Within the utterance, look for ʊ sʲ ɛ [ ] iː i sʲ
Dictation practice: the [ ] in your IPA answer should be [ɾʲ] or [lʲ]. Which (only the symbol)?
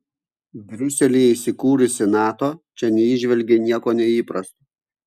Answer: lʲ